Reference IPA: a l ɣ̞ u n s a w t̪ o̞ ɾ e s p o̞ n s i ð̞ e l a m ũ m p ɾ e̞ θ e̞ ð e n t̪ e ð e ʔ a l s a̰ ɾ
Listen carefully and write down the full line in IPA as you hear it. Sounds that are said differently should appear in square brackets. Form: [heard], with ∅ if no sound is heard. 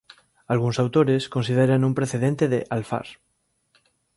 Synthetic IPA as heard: a l ɣ̞ u n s a w t̪ o̞ ɾ e s [k] o̞ n s i ð̞ e [ɾ] a [n] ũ m p ɾ e̞ θ e̞ ð e n t̪ e ð e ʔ a l [f] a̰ ɾ